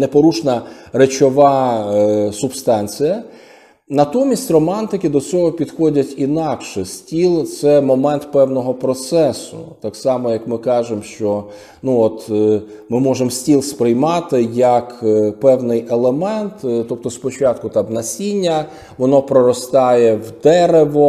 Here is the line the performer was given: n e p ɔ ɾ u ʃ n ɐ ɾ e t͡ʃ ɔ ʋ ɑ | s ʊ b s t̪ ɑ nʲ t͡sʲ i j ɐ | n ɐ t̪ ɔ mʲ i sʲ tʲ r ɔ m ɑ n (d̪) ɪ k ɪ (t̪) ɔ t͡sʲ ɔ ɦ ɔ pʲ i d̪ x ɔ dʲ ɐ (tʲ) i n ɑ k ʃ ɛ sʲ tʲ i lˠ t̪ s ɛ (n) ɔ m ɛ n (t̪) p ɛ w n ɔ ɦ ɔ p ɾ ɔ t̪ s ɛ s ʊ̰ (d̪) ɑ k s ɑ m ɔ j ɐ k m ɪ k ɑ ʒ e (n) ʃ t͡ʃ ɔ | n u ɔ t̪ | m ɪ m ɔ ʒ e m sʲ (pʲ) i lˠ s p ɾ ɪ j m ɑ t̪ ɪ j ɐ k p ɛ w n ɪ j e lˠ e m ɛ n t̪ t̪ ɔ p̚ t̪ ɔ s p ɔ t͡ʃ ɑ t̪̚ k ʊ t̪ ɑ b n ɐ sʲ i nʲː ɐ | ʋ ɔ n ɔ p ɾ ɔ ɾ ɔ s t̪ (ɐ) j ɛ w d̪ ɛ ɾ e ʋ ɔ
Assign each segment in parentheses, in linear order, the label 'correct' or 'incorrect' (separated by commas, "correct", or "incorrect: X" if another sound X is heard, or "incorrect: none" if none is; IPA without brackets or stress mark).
incorrect: t̪, incorrect: d̪, correct, incorrect: m, correct, incorrect: t̪, incorrect: m, incorrect: tʲ, incorrect: ɑ